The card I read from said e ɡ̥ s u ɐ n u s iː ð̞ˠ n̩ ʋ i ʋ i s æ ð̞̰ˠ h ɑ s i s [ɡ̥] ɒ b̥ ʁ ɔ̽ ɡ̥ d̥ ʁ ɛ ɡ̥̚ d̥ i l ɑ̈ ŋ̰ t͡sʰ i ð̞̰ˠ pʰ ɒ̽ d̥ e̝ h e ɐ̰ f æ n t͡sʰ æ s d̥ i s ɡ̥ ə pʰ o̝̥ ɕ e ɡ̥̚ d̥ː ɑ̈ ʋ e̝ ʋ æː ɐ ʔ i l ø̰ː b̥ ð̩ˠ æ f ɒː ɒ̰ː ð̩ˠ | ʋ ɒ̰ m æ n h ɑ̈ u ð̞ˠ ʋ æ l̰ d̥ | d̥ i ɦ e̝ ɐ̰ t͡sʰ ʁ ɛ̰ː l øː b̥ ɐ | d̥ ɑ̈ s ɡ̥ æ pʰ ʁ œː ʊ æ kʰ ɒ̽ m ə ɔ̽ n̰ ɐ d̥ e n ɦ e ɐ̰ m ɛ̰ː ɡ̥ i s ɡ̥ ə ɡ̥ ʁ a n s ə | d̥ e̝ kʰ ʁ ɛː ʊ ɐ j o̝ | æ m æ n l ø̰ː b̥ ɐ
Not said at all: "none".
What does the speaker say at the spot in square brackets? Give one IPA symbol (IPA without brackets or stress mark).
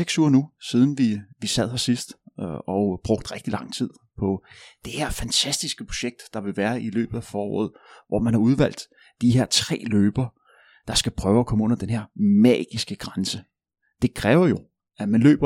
d̥